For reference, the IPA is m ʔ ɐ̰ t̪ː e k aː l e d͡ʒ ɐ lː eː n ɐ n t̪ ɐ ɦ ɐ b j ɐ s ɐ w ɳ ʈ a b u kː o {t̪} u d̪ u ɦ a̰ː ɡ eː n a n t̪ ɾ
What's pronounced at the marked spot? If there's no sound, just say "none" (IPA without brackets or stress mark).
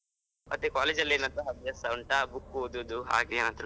d̪